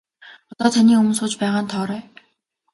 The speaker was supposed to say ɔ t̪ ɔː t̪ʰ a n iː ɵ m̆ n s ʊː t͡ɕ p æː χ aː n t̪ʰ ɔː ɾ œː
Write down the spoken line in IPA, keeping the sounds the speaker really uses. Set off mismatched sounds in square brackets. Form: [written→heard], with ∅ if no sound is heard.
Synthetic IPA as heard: ɔ t̪ ɔː t̪ʰ a n iː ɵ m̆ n s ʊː t͡ɕ p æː [χ→ʁ] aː n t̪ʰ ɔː ɾ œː